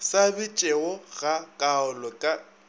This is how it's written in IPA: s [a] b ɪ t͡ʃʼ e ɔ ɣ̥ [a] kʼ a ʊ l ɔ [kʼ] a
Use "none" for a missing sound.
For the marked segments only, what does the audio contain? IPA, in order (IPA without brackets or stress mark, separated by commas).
a, a, kʼ